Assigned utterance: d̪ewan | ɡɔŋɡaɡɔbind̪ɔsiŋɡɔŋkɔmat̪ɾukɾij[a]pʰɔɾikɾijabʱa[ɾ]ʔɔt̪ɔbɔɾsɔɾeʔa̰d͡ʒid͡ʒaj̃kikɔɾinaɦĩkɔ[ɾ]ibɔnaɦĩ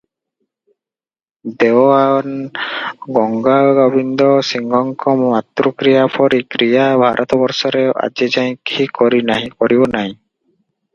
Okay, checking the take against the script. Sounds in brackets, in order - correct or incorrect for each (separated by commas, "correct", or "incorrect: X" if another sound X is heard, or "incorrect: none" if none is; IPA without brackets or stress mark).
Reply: correct, correct, correct